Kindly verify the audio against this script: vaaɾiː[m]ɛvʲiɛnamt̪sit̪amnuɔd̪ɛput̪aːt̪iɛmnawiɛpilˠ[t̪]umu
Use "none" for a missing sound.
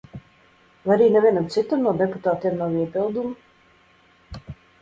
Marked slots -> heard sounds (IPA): n, d̪

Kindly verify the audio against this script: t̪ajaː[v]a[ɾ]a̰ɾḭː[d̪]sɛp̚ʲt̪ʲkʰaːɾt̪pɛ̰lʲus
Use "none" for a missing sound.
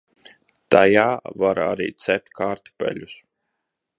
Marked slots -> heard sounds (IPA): v, ɾ, t̪

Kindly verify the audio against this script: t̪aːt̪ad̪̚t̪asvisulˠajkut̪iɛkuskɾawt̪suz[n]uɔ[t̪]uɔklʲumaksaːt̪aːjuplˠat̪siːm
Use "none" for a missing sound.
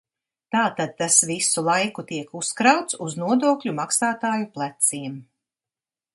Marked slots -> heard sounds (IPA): n, d̪

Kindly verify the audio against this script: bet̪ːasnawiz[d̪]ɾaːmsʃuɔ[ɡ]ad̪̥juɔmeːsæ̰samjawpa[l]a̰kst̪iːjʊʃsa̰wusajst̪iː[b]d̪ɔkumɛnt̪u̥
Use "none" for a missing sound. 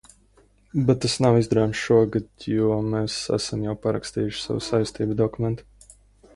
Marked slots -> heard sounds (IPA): d̪, ɡ, ɾ, b

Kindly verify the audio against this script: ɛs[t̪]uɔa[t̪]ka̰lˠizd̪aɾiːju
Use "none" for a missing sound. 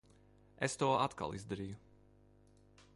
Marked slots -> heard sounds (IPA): t̪, t̪

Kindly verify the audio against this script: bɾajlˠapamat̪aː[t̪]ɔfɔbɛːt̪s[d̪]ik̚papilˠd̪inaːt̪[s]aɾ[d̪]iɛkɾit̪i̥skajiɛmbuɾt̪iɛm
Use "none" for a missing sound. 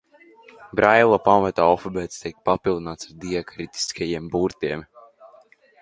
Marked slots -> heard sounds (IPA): none, t̪, s, d̪

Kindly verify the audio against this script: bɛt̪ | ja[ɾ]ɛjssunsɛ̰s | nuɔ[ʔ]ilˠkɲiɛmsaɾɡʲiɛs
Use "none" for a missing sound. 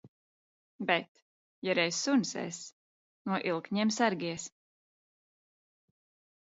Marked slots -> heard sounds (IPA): ɾ, ʔ

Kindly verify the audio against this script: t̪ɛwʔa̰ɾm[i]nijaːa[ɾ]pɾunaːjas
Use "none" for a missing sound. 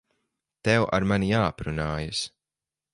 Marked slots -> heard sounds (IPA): a, none

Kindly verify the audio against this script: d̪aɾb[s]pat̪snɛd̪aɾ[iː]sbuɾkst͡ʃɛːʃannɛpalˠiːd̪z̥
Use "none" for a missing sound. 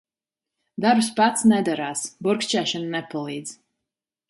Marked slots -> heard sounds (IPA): s, aː

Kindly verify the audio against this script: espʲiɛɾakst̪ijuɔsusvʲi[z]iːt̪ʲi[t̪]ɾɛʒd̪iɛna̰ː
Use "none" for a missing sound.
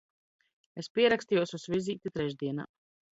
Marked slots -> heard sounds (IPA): z, t̪

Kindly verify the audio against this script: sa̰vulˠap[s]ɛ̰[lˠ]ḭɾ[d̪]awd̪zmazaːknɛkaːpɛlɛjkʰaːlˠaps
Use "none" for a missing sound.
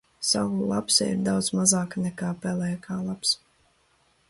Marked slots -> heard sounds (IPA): s, none, d̪

